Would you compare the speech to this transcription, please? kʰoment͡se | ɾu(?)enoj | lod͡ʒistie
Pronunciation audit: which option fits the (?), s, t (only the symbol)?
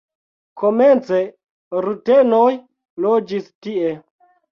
t